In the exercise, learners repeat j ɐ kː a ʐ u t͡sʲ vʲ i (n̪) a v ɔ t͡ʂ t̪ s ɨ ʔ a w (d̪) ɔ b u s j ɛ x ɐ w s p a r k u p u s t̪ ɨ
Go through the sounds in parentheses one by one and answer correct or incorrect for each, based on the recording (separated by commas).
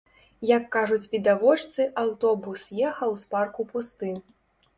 incorrect, incorrect